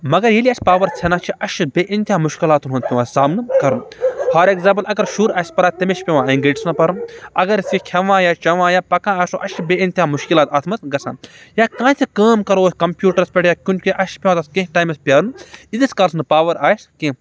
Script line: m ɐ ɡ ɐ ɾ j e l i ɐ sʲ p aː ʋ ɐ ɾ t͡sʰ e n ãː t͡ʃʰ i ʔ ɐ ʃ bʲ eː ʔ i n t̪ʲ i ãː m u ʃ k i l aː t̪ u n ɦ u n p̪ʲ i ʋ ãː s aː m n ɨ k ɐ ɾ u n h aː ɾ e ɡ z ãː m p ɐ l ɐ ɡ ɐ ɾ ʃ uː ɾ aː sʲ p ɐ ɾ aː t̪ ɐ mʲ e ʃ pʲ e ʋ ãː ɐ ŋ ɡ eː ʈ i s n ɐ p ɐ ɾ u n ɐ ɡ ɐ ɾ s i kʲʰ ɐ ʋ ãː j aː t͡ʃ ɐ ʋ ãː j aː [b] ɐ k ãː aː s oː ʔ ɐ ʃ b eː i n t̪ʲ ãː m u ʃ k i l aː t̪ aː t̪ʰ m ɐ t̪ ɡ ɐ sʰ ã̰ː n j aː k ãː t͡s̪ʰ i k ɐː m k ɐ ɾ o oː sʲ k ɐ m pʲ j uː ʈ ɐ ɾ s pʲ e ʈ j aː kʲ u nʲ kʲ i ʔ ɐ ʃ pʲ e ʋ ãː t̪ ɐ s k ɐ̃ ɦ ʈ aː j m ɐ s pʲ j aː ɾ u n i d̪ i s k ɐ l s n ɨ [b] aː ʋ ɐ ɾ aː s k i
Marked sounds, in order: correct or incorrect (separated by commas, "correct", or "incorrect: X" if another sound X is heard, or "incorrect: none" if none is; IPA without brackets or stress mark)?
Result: incorrect: p, incorrect: p